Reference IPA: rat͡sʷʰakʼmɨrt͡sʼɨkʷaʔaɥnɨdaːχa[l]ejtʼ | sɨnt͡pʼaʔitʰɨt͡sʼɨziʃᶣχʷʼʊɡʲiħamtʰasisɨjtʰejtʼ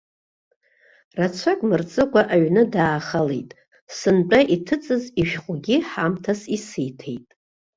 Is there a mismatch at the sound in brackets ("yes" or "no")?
no